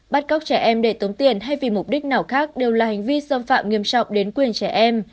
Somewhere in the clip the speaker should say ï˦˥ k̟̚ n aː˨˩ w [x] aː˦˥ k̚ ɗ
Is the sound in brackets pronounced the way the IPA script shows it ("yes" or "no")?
yes